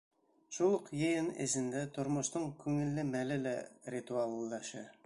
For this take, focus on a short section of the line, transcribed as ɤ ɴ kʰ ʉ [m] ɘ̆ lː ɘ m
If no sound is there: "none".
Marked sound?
ŋ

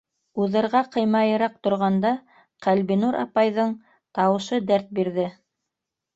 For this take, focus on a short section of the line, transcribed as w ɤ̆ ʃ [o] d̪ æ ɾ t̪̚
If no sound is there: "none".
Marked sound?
ɤ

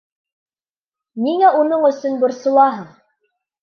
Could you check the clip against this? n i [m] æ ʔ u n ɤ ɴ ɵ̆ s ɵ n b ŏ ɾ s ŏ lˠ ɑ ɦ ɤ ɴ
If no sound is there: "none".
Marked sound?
ŋ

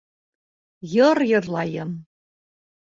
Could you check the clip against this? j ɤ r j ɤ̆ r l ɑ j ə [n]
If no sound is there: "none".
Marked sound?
m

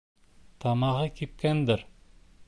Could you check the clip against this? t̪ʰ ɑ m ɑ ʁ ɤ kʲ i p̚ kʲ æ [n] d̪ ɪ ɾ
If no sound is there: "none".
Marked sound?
n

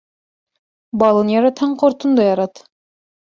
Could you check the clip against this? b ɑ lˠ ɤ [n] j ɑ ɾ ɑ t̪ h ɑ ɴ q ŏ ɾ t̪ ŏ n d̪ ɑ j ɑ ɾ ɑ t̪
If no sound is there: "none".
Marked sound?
n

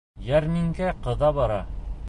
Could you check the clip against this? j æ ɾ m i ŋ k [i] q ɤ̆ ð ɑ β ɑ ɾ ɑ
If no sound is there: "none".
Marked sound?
æ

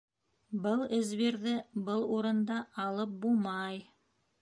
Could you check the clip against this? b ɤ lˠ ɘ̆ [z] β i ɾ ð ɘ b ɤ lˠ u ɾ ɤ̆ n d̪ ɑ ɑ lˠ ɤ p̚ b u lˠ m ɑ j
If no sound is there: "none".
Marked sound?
z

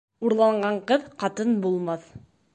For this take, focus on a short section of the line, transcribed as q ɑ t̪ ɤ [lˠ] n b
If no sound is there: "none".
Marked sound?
none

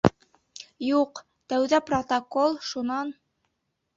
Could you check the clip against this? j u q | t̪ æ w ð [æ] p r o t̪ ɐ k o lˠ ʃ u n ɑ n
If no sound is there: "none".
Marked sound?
æ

